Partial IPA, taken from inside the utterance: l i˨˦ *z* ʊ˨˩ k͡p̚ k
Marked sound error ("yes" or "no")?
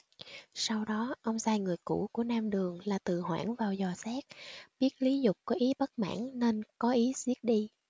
no